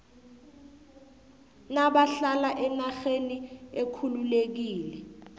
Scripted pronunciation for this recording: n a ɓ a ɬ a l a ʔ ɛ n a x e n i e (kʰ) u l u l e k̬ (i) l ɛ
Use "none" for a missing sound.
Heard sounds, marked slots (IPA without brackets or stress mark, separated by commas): kʰ, iː